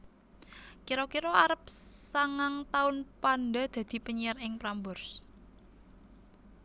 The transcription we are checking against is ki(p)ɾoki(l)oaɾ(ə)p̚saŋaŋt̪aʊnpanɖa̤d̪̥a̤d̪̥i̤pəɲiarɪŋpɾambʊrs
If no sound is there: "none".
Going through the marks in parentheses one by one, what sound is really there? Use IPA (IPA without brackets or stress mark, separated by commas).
none, ɾ, ə